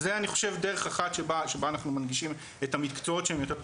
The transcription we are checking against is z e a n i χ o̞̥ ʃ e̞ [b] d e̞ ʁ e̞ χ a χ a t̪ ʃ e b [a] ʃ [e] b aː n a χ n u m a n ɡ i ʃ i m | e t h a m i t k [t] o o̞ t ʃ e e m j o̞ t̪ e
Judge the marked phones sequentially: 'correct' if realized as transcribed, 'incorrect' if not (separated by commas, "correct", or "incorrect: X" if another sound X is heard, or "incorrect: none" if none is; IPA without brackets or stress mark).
incorrect: v, correct, correct, incorrect: t͡s